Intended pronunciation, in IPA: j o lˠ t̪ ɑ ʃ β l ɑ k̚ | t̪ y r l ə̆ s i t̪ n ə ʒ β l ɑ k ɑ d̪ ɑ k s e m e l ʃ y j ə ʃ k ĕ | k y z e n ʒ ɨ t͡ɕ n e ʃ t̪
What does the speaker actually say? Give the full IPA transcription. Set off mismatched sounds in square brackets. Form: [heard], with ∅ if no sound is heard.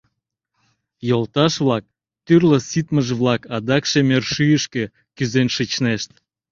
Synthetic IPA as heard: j o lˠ t̪ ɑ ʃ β l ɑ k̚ | t̪ y r l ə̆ s i t̪ [m] ə ʒ β l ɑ k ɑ d̪ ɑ k [ʃ] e m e [r] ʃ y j ə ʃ k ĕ | k y z e n [ʃ] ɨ t͡ɕ n e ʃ t̪